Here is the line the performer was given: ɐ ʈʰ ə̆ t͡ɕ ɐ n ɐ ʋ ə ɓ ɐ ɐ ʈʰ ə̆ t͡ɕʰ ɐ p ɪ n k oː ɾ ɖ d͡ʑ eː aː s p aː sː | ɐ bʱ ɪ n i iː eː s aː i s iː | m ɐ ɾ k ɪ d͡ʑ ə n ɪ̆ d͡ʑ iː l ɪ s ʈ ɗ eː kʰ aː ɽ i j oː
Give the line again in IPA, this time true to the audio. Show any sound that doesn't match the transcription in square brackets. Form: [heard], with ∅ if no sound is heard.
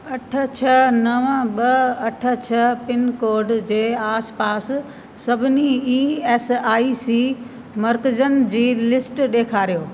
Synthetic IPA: ɐ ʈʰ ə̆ [t͡ɕʰ] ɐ n ɐ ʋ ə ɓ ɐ ɐ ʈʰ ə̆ t͡ɕʰ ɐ p ɪ n k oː ɾ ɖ d͡ʑ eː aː s p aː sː | ɐ bʱ ɪ n i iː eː s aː i s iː | m ɐ ɾ k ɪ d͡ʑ ə n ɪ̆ d͡ʑ iː l ɪ s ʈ ɗ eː kʰ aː [ɾ] i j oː

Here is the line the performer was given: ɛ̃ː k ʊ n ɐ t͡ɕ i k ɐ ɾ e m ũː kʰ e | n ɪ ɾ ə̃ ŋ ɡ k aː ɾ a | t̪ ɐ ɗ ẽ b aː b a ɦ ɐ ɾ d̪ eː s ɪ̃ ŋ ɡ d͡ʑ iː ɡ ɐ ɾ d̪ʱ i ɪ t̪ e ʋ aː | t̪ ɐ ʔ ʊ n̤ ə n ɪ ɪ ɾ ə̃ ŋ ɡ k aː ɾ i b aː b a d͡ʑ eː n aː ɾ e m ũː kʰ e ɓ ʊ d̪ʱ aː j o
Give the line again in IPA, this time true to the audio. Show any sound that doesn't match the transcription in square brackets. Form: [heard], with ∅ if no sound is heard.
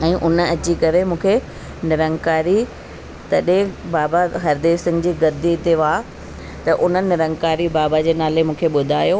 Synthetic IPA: ɛ̃ː [ʔ] ʊ n ɐ t͡ɕ i k ɐ ɾ e m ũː kʰ e | n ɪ ɾ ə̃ ŋ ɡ k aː ɾ [i] | t̪ ɐ ɗ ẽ b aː b a ɦ ɐ ɾ d̪ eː s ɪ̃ ŋ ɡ d͡ʑ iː ɡ ɐ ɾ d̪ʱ i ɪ t̪ e ʋ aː | t̪ ɐ ʔ ʊ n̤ ə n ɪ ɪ ɾ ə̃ ŋ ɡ k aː ɾ i b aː b a d͡ʑ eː n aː [l] e m ũː kʰ e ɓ ʊ d̪ʱ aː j o

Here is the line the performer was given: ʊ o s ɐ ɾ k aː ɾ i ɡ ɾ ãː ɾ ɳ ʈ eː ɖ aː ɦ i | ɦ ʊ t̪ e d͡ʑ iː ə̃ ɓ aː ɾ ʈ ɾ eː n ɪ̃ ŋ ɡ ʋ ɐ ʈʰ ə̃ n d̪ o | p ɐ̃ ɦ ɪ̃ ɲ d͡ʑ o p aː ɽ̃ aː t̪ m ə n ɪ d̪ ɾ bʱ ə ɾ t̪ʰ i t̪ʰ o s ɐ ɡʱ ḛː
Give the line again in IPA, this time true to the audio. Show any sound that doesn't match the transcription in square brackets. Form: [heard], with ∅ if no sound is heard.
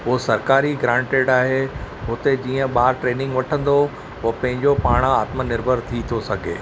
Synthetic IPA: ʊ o s ɐ ɾ k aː ɾ i ɡ ɾ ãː [∅] ɳ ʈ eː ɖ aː ɦ [e] | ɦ ʊ t̪ e d͡ʑ iː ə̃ ɓ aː ɾ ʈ ɾ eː n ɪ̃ ŋ ɡ ʋ ɐ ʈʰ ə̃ n d̪ o | p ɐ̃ ɦ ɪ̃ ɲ d͡ʑ o p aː ɽ̃ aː t̪ m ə n ɪ [∅] ɾ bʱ ə ɾ t̪ʰ i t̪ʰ o s ɐ ɡʱ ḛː

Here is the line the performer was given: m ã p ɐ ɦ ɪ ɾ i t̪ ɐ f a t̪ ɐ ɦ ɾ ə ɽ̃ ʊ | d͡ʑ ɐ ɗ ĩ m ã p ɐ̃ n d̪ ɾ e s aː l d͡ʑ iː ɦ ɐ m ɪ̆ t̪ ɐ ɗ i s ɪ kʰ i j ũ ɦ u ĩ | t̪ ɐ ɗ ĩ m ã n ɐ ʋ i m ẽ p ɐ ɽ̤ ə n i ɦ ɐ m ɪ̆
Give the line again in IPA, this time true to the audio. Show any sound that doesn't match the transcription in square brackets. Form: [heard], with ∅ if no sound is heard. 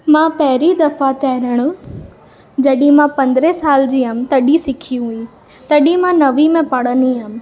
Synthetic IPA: m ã p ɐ ɦ ɪ ɾ i [d̪] ɐ f a t̪ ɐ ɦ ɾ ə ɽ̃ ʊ | d͡ʑ ɐ ɗ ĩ m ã p ɐ̃ n d̪ ɾ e s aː l d͡ʑ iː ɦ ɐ m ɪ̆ t̪ ɐ ɗ i s ɪ kʰ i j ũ ɦ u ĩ | t̪ ɐ ɗ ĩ m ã n ɐ ʋ i m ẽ p ɐ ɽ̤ ə n i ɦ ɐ m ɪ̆

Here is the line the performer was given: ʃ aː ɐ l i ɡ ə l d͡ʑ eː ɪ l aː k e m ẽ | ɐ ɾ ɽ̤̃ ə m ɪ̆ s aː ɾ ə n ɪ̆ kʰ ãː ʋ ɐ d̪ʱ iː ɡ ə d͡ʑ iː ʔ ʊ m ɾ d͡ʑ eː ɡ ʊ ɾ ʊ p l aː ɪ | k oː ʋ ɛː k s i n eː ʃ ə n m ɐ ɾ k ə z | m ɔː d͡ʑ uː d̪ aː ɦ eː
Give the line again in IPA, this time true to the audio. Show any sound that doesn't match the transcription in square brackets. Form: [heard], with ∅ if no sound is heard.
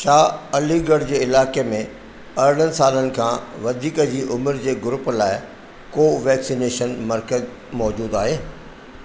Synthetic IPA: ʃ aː ɐ l i ɡ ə [ɽ] d͡ʑ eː ɪ l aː k e m ẽ | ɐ ɾ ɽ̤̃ ə [n] ɪ̆ s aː [l] ə n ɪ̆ kʰ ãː ʋ ɐ d̪ʱ iː [k] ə d͡ʑ iː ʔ ʊ m ɾ d͡ʑ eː ɡ ʊ ɾ ʊ p l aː ɪ | k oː ʋ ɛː k s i n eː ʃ ə n m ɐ ɾ k ə z | m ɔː d͡ʑ uː d̪ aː ɦ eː

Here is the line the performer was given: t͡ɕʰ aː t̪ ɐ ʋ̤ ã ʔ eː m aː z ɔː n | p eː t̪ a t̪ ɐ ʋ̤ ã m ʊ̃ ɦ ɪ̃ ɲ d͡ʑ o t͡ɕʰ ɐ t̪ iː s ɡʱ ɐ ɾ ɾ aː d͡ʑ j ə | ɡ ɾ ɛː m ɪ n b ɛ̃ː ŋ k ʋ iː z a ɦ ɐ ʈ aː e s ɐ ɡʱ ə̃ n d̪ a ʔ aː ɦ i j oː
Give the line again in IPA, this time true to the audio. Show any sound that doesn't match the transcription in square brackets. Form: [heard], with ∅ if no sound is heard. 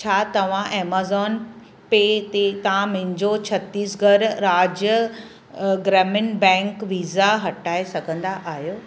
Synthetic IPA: t͡ɕʰ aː t̪ ɐ ʋ̤ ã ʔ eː m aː z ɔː n | p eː t̪ [e] t̪ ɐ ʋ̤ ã m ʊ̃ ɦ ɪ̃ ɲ d͡ʑ o t͡ɕʰ ɐ t̪ iː s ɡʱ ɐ ɾ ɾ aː d͡ʑ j ə | ɡ ɾ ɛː m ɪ n b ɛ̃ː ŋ k ʋ iː z a ɦ ɐ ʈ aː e s ɐ ɡʱ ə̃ n d̪ a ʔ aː ɦ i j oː

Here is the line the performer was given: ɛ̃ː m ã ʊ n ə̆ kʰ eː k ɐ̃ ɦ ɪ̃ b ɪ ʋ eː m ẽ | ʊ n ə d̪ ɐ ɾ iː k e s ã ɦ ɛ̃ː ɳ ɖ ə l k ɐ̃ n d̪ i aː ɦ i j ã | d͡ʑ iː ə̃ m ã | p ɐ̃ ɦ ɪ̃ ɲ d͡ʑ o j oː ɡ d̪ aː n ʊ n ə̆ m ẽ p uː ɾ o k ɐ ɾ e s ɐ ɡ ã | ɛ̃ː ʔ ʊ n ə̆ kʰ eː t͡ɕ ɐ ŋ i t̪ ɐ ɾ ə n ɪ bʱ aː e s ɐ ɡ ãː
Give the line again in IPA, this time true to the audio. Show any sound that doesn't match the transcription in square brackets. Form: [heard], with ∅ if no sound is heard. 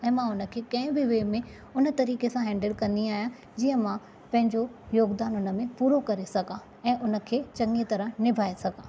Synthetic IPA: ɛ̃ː m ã ʊ n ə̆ kʰ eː k ɐ̃ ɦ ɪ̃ b ɪ ʋ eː m ẽ | ʊ n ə [t̪] ɐ ɾ iː k e s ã ɦ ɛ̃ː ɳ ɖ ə l k ɐ̃ n d̪ i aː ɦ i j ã | d͡ʑ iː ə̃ m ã | p ɐ̃ ɦ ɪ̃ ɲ d͡ʑ o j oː ɡ d̪ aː n ʊ n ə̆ m ẽ p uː ɾ o k ɐ ɾ e s ɐ ɡ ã | ɛ̃ː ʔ ʊ n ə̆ kʰ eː t͡ɕ ɐ ŋ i t̪ ɐ ɾ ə n ɪ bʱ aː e s ɐ ɡ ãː

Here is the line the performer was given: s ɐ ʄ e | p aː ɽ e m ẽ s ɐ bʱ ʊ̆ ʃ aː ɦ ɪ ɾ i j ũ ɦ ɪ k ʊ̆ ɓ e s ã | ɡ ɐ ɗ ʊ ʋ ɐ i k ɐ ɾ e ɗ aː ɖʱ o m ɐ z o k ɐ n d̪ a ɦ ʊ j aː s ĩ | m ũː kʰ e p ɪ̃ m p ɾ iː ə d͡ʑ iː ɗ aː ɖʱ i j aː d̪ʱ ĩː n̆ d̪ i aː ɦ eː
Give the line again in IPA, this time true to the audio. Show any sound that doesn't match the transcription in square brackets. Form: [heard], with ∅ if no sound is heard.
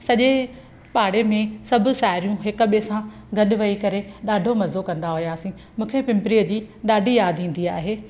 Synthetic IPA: s ɐ ʄ e | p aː ɽ e m ẽ s ɐ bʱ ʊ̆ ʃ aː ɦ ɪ ɾ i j ũ ɦ ɪ k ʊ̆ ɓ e s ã | ɡ ɐ ɗ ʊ ʋ ɐ i k ɐ ɾ e ɗ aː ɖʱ o m ɐ z o k [ɐ̃] n d̪ a ɦ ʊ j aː s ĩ | m ũː kʰ e p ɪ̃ m p ɾ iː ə d͡ʑ iː ɗ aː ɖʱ i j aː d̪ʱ ĩː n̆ d̪ i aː ɦ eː

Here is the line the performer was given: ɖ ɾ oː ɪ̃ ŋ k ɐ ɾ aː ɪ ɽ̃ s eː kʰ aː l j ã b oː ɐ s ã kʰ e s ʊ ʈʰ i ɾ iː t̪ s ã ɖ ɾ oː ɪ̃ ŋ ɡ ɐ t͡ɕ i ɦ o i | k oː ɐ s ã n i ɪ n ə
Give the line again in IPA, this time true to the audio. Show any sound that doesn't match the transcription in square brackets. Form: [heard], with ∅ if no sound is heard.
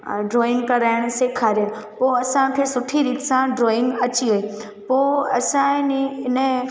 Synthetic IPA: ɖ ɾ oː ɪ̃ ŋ k ɐ ɾ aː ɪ ɽ̃ s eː kʰ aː [ɾ] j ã [p] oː ɐ s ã kʰ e s ʊ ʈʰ i ɾ iː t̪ s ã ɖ ɾ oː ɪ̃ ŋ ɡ ɐ t͡ɕ i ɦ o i | [p] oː ɐ s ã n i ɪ n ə

